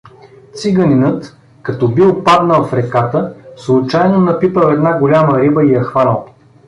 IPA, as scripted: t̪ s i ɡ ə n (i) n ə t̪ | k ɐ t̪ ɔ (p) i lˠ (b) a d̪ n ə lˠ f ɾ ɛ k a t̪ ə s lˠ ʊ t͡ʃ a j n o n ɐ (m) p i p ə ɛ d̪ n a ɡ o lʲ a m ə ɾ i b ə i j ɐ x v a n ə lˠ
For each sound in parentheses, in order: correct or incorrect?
correct, incorrect: b, incorrect: p, incorrect: none

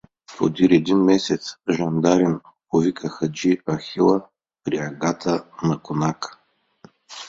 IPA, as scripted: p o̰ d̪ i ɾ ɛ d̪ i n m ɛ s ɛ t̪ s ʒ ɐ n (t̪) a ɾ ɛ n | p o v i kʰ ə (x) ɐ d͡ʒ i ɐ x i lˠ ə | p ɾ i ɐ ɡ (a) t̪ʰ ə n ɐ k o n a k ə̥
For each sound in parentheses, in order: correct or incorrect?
incorrect: d̪, correct, correct

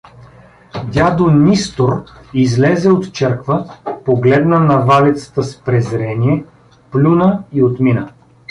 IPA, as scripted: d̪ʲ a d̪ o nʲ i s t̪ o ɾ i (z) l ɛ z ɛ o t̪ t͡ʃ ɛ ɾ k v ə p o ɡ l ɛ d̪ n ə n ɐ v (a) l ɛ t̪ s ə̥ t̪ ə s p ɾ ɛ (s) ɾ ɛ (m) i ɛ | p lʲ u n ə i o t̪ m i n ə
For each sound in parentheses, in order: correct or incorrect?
correct, correct, incorrect: z, incorrect: n

